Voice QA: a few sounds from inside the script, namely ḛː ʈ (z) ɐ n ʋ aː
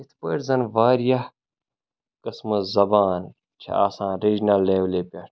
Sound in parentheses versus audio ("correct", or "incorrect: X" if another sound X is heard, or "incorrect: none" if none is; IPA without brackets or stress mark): correct